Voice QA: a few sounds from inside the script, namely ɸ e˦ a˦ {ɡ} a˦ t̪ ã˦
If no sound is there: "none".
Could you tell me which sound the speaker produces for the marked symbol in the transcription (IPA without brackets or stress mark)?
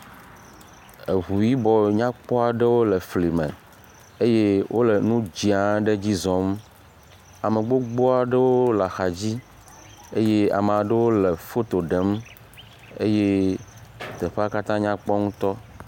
k